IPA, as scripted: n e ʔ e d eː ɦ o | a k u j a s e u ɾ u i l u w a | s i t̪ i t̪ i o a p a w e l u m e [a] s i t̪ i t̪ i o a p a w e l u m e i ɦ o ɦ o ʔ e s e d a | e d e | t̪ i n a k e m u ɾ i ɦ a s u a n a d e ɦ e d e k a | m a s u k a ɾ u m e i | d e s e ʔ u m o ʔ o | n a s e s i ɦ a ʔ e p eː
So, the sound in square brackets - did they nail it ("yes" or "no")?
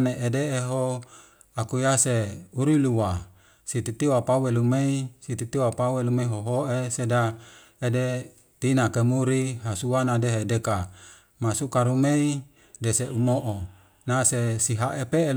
no